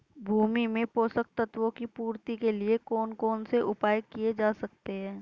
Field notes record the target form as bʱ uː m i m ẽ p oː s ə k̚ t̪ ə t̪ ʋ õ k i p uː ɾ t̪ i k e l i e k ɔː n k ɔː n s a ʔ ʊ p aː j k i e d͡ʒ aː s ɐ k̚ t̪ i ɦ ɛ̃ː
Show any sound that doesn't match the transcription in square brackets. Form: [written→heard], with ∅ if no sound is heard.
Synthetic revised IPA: bʱ uː m i m ẽ p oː s ə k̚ t̪ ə t̪ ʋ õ k i p uː ɾ t̪ i k e l i e k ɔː n k ɔː n s [a→e] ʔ ʊ p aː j k i e d͡ʒ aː s ɐ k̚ t̪ [i→e] ɦ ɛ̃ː